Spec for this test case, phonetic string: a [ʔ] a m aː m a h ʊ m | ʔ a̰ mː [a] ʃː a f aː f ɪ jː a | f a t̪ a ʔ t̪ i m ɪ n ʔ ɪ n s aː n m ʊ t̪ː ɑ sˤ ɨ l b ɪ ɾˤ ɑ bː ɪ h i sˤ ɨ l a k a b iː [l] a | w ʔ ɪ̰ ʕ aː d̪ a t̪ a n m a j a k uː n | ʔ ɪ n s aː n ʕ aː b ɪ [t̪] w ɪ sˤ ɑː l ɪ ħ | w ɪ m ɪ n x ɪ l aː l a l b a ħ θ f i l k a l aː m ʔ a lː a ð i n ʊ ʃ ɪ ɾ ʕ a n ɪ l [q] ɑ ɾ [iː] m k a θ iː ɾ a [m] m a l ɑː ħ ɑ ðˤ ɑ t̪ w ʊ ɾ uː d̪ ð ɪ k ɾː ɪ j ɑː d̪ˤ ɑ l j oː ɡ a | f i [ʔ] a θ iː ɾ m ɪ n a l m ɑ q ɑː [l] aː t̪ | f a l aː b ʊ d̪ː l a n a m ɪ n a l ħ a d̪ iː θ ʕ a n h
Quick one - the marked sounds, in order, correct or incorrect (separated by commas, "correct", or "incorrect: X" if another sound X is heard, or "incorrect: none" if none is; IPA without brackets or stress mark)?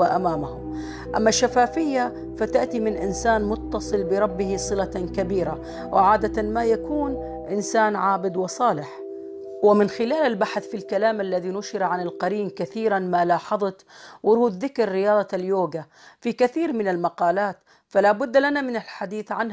correct, correct, incorrect: ɾ, incorrect: d̪, correct, correct, incorrect: n, incorrect: k, correct